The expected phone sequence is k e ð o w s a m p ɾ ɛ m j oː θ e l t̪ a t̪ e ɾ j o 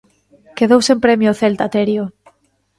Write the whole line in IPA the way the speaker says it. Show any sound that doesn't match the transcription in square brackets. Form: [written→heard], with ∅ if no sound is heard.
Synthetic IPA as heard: k e ð o w s [a→e] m p ɾ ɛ m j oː θ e l t̪ a t̪ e ɾ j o